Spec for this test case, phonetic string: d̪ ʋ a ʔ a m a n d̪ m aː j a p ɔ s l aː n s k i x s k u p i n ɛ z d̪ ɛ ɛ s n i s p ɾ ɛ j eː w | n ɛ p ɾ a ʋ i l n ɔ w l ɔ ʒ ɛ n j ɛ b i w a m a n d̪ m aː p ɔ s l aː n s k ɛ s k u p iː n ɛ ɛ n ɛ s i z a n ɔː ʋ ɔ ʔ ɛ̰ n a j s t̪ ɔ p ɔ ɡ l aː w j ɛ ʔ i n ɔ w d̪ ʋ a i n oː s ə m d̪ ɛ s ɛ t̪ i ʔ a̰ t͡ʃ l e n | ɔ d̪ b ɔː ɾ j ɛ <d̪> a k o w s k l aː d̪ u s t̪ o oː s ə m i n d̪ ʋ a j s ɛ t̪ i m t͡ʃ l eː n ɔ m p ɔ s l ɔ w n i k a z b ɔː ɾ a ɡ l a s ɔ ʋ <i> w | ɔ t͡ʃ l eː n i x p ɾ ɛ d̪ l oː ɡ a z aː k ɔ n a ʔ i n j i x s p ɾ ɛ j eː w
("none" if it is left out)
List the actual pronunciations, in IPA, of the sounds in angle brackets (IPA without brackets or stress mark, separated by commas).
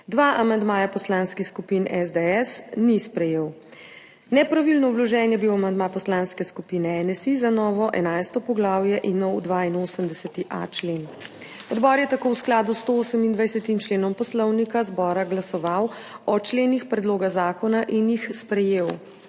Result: t̪, a